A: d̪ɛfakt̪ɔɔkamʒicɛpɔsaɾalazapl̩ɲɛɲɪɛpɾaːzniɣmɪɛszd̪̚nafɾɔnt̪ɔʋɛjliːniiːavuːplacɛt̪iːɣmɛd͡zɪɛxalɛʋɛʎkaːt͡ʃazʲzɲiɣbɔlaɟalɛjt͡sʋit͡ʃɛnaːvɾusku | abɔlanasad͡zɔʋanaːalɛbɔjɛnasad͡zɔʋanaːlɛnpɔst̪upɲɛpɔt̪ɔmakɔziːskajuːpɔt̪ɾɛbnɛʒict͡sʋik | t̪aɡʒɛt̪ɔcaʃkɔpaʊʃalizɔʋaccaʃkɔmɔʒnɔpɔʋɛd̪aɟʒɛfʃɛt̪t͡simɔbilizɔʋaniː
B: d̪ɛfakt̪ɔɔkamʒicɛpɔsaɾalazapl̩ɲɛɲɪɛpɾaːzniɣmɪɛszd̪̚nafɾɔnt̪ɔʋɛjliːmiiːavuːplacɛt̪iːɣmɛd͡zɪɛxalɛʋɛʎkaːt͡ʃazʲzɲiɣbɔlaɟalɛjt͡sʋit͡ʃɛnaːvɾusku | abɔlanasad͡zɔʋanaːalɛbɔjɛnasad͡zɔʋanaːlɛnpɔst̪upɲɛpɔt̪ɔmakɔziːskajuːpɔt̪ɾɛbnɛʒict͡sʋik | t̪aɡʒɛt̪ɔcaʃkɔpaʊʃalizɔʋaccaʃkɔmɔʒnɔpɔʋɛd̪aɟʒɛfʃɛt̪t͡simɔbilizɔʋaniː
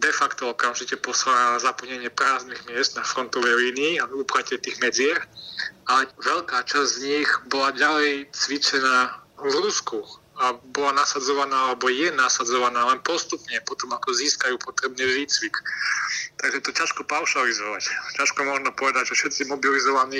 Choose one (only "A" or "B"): A